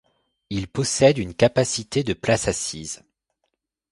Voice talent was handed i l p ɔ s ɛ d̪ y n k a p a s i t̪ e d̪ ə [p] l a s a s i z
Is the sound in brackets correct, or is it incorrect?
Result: correct